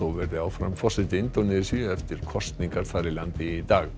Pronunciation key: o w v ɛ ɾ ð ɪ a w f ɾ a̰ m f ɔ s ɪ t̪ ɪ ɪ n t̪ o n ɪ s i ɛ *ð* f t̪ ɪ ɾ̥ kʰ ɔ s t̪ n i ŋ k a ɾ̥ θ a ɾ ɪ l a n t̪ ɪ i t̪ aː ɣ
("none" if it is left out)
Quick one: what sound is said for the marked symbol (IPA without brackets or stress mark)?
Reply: none